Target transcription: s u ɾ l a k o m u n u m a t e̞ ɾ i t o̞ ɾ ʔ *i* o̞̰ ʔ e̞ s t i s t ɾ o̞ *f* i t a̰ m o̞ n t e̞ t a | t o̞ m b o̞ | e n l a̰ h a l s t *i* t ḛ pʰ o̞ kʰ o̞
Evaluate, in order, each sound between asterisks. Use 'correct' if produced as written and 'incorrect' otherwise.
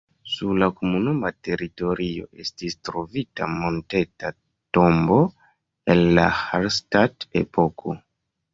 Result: correct, incorrect: v, incorrect: a

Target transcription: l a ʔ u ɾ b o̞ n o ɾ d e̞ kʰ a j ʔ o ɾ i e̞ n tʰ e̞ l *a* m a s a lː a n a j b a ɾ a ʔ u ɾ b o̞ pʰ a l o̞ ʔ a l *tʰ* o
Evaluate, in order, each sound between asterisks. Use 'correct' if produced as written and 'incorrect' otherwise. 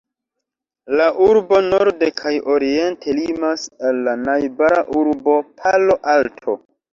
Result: incorrect: i, correct

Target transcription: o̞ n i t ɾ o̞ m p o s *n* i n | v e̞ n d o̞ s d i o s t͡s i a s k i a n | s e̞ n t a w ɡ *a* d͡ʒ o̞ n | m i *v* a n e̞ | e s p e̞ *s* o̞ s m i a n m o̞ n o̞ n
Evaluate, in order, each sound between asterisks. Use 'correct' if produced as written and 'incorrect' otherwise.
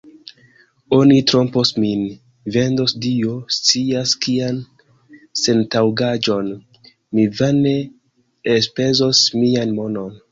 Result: incorrect: m, correct, correct, incorrect: z

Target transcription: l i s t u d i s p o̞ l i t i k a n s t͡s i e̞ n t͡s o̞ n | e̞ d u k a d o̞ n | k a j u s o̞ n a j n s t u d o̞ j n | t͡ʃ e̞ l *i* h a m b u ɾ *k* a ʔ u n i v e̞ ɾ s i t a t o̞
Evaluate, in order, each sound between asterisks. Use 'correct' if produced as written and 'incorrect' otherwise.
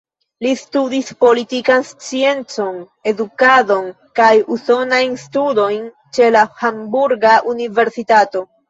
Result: incorrect: a, incorrect: ɡ

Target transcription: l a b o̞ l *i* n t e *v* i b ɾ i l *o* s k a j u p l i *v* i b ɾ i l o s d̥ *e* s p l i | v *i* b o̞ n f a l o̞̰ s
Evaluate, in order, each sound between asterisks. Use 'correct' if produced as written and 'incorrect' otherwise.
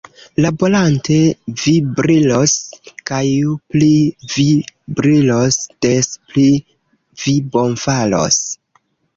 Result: incorrect: a, correct, correct, correct, correct, correct

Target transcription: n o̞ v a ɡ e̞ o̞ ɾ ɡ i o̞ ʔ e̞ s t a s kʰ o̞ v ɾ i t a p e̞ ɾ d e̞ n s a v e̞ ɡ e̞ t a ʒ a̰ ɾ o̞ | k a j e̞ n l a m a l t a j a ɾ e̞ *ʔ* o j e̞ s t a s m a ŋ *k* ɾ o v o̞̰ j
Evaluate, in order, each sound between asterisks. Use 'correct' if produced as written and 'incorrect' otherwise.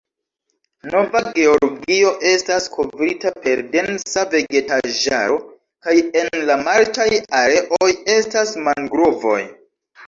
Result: correct, incorrect: ɡ

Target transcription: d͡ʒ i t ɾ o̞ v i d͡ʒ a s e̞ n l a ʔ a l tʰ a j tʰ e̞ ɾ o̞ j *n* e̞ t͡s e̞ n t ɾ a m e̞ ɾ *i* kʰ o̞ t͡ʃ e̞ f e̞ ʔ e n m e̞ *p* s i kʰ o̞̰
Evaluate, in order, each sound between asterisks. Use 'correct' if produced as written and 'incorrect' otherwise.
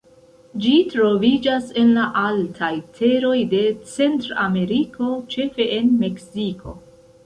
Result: incorrect: d, correct, incorrect: k

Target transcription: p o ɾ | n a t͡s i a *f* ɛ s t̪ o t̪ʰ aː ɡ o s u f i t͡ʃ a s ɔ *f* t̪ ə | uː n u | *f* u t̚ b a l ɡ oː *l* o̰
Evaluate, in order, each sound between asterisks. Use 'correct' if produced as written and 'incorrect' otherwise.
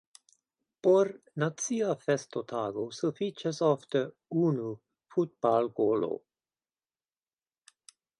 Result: correct, correct, correct, correct

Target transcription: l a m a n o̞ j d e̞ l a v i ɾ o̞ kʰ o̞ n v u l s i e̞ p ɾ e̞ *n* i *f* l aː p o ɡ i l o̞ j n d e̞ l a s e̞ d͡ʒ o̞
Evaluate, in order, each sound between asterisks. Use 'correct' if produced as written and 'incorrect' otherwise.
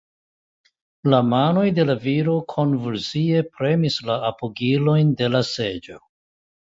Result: incorrect: m, incorrect: s

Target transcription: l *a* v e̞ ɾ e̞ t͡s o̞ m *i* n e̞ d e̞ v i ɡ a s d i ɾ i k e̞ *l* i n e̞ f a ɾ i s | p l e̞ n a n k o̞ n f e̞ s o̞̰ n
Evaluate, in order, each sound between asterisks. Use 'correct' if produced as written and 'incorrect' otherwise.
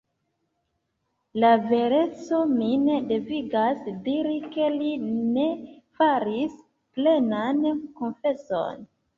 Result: correct, correct, correct

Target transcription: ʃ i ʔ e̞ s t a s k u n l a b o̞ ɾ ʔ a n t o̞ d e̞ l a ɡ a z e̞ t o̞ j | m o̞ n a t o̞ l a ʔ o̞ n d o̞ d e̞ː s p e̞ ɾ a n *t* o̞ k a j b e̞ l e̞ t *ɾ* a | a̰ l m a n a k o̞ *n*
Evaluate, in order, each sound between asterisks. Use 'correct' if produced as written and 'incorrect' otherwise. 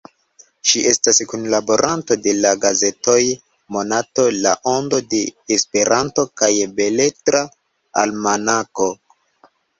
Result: correct, correct, incorrect: none

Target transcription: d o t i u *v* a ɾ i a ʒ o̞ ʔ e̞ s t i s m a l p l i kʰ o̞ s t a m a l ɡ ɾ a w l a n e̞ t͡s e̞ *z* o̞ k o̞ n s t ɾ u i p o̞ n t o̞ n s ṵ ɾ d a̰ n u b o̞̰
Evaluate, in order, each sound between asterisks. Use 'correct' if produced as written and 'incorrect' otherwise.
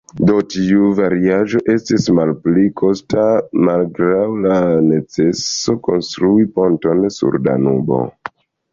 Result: correct, incorrect: s

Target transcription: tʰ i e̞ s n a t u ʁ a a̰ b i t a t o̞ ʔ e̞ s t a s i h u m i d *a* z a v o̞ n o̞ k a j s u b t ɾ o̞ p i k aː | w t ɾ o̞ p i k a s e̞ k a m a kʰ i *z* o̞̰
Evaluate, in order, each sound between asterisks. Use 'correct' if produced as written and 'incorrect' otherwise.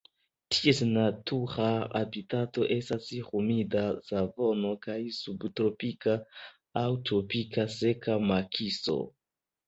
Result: correct, incorrect: s

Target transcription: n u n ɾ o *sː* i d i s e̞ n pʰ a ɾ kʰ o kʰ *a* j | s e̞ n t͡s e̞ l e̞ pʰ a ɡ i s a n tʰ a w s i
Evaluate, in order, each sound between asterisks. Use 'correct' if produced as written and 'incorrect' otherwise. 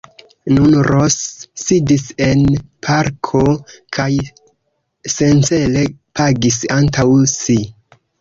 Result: correct, correct

